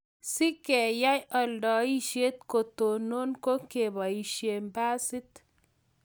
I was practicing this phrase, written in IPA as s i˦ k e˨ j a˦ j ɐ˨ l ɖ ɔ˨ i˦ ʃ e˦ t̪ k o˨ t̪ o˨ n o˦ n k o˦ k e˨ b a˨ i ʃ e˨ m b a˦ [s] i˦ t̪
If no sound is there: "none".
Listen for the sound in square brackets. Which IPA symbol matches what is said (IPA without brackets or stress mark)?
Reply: s